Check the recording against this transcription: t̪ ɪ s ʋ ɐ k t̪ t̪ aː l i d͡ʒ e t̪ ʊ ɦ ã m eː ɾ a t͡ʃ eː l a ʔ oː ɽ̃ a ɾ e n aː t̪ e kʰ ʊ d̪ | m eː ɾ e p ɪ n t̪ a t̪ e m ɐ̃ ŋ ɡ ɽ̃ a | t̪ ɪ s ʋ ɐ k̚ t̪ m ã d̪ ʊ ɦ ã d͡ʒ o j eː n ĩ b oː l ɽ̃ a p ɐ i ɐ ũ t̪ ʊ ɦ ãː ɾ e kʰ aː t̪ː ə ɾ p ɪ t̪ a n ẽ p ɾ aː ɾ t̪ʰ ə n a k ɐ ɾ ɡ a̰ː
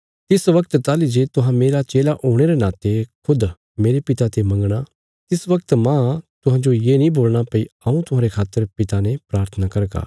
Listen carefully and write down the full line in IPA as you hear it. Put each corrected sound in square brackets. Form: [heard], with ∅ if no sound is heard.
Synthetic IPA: t̪ ɪ s ʋ ɐ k t̪ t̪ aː l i d͡ʒ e t̪ ʊ ɦ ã m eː ɾ a t͡ʃ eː l a ʔ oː ɽ̃ [e] ɾ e n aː t̪ e kʰ ʊ d̪ | m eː ɾ e p ɪ [∅] t̪ a t̪ e m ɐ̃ ŋ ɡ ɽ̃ a | t̪ ɪ s ʋ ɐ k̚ t̪ m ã [t̪] ʊ ɦ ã d͡ʒ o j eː n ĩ b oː l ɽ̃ a p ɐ i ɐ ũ t̪ ʊ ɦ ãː ɾ e kʰ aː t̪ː ə ɾ p ɪ t̪ a n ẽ p ɾ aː ɾ t̪ʰ ə n a k ɐ ɾ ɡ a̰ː

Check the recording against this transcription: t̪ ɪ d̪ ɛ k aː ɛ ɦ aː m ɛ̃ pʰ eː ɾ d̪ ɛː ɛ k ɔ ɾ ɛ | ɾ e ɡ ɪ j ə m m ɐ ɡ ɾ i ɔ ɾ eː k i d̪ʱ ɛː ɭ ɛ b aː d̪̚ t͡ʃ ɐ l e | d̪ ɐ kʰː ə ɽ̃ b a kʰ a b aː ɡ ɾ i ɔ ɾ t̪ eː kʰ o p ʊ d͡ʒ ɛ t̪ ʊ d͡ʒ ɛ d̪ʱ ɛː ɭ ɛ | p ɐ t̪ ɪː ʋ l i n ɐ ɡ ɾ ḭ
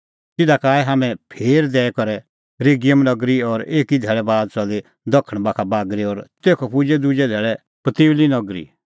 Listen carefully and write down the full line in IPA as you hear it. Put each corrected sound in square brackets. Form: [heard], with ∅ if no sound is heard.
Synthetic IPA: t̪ ɪ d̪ [a] k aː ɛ ɦ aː m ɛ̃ pʰ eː ɾ d̪ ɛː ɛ k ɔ ɾ ɛ | ɾ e ɡ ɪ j ə m [n] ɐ ɡ ɾ i ɔ ɾ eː k i d̪ʱ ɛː ɭ ɛ b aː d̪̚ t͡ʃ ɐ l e | d̪ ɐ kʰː ə ɽ̃ b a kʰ a b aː ɡ ɾ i ɔ ɾ t̪ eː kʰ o p ʊ d͡ʒ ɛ [d̪] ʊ d͡ʒ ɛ d̪ʱ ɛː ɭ ɛ | p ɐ t̪ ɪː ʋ l i n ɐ ɡ ɾ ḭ

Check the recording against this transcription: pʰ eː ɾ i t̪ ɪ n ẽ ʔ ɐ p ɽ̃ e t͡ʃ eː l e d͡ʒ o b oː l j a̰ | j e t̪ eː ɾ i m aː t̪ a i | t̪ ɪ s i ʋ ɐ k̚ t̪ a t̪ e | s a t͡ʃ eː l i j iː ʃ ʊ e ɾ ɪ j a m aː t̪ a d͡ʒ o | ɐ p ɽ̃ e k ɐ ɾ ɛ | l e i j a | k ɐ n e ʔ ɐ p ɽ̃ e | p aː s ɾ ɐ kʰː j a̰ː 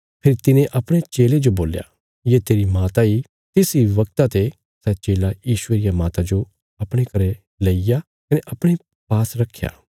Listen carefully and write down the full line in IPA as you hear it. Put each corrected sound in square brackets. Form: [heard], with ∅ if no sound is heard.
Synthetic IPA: pʰ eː ɾ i t̪ ɪ n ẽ ʔ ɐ p ɽ̃ e t͡ʃ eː l e d͡ʒ o b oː l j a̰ | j e t̪ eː ɾ i m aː t̪ a i | t̪ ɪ s i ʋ ɐ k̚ t̪ a t̪ e | s [ɛ] t͡ʃ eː l [a] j iː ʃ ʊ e ɾ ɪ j a m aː t̪ a d͡ʒ o | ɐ p ɽ̃ e k ɐ ɾ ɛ | l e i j a | k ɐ n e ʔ ɐ p ɽ̃ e | p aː s ɾ ɐ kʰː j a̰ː

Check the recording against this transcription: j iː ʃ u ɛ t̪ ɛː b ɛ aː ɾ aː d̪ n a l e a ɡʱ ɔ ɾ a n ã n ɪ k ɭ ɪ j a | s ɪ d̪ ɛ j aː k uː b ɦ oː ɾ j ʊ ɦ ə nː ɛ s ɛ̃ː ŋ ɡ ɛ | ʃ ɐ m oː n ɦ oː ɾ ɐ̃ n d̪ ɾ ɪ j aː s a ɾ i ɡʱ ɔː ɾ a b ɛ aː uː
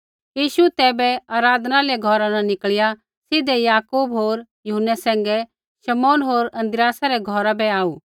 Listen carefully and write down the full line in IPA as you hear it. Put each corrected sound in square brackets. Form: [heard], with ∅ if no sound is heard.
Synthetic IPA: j iː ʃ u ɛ t̪ ɛː b ɛ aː ɾ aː d̪ n a l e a ɡʱ ɔ ɾ a n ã n ɪ k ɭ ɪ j a | s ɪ d̪ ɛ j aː k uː b ɦ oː ɾ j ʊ ɦ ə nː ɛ s ɛ̃ː ŋ ɡ ɛ | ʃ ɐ m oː n ɦ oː ɾ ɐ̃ n d̪ ɾ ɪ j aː s a ɾ [ɛ] ɡʱ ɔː ɾ a b ɛ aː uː

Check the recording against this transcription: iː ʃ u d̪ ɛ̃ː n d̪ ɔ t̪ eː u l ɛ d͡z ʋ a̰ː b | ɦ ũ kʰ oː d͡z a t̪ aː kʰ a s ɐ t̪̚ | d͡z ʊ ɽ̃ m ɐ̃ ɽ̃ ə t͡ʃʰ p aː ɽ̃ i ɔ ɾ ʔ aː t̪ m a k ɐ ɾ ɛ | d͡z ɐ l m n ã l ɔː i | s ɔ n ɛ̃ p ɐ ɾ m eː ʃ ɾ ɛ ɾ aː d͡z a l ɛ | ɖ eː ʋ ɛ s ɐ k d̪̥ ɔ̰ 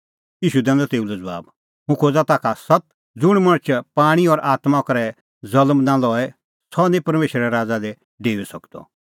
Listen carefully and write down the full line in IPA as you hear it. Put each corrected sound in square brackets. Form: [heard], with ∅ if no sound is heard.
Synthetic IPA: iː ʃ u d̪ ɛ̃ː n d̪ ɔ t̪ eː u l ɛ d͡z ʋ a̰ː b | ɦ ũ kʰ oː d͡z a t̪ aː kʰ a s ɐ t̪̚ | d͡z ʊ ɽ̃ m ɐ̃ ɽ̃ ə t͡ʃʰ p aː ɽ̃ i ɔ ɾ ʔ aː t̪ m a k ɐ ɾ ɛ | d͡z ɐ l m n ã l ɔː [ɛ] | s ɔ n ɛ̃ p ɐ ɾ m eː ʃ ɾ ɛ ɾ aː d͡z a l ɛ | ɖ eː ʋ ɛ s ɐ k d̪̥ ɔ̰

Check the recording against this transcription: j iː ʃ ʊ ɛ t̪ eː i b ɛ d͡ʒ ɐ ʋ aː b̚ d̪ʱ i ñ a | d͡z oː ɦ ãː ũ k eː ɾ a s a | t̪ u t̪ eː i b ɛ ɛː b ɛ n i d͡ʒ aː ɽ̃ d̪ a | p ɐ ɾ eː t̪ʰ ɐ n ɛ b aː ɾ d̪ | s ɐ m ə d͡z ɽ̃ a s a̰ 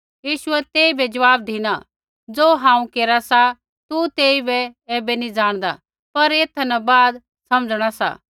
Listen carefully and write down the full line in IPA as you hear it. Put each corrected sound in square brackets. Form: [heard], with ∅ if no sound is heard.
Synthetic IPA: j iː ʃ ʊ ɛ t̪ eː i b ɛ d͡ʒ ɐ ʋ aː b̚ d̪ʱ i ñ a | d͡z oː ɦ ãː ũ k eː ɾ a s a | t̪ u t̪ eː i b ɛ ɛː b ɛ n i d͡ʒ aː ɽ̃ d̪ a | p ɐ ɾ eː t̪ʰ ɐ n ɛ b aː [∅] d̪ | s ɐ m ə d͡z ɽ̃ a s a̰

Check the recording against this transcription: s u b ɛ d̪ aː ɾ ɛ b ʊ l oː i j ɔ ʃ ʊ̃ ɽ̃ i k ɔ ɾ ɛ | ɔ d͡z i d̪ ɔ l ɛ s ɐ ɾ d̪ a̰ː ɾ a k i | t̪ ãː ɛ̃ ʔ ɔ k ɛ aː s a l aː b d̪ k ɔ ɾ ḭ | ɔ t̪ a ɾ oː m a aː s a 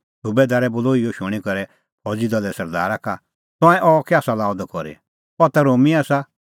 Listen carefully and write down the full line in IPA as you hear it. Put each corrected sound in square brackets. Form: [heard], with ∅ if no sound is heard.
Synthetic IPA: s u b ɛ d̪ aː ɾ ɛ b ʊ l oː i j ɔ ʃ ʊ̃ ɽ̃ i k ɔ ɾ ɛ | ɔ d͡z i d̪ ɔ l ɛ s ɐ ɾ d̪ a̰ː ɾ a k [a] | t̪ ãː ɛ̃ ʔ ɔ k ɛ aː s a l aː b d̪ k ɔ ɾ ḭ | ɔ t̪ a ɾ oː m [i] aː s a

